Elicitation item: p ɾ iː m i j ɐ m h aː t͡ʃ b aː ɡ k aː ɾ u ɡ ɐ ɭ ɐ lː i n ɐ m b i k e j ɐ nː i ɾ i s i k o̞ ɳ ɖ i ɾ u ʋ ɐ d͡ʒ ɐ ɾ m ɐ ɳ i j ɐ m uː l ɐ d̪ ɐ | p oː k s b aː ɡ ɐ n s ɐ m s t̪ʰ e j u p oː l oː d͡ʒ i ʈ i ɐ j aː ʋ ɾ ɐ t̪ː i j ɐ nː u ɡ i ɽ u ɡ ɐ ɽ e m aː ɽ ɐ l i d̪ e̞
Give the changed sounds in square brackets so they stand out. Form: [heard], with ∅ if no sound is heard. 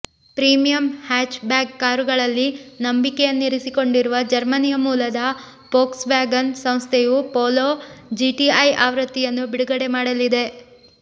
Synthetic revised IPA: p ɾ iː m i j ɐ m h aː t͡ʃ b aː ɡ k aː ɾ u ɡ ɐ ɭ ɐ lː i n ɐ m b i k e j ɐ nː i ɾ i s i k o̞ ɳ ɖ i ɾ u ʋ ɐ d͡ʒ ɐ ɾ m ɐ [n] i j ɐ m uː l ɐ d̪ ɐ | p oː k s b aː ɡ ɐ n s ɐ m s t̪ʰ e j u p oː l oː d͡ʒ i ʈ i ɐ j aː ʋ ɾ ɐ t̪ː i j ɐ nː u [b] i ɽ u ɡ ɐ ɽ e m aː ɽ ɐ l i d̪ e̞